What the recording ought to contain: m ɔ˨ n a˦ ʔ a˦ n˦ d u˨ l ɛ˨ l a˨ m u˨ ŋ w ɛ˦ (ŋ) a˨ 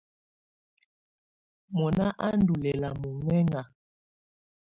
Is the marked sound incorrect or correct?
correct